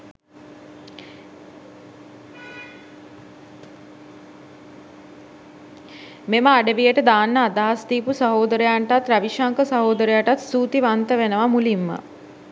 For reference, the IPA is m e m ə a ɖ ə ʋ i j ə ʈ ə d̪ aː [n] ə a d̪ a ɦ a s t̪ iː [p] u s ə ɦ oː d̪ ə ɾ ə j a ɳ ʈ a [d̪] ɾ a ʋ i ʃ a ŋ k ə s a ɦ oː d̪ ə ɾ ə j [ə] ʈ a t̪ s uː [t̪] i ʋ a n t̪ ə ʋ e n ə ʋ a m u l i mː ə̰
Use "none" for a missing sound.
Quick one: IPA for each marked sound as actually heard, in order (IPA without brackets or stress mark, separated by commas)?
nː, p, t̪, a, t̪